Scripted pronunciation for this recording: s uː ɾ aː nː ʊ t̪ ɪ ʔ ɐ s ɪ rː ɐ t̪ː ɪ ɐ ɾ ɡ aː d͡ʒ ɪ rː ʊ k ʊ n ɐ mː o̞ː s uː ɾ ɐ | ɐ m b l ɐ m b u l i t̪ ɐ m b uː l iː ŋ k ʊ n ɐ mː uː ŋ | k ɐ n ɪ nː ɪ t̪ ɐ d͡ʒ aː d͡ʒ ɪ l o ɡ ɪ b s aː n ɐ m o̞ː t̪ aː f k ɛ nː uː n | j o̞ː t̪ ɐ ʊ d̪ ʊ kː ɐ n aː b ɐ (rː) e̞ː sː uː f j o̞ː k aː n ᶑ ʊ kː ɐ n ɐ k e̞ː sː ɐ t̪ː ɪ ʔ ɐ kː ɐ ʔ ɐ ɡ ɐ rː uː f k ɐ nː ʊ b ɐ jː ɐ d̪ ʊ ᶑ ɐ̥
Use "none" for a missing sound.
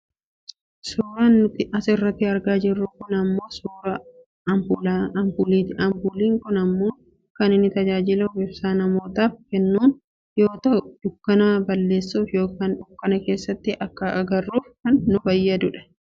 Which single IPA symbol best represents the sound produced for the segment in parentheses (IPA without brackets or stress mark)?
lː